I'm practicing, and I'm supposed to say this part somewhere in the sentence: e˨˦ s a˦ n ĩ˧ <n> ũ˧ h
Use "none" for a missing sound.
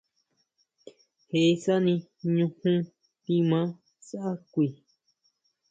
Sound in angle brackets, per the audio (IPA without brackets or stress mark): ɲ